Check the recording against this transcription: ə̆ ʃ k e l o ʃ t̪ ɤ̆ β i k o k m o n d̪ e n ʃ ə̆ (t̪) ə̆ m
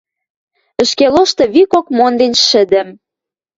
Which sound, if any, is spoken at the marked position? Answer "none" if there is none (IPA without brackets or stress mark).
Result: d̪